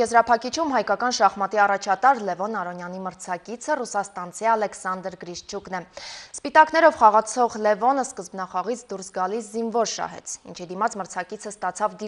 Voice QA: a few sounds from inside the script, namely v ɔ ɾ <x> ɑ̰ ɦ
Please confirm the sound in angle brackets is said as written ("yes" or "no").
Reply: no